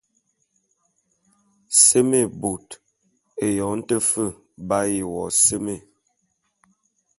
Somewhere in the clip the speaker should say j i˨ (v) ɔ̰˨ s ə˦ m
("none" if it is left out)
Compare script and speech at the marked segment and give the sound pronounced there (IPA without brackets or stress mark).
w